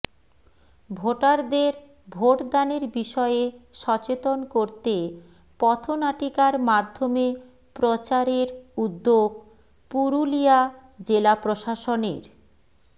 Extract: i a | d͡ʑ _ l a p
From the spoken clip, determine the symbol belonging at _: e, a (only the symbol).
e